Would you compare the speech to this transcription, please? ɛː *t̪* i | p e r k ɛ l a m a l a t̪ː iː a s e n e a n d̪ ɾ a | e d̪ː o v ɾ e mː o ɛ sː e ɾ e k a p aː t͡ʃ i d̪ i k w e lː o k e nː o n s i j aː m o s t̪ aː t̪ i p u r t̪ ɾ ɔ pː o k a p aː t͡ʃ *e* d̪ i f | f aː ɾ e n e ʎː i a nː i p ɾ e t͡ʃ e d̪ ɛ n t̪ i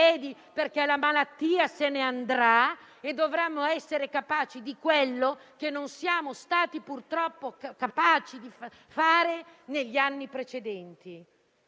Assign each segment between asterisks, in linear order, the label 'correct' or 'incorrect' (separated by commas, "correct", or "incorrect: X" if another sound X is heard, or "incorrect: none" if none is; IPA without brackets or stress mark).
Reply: incorrect: d̪, incorrect: i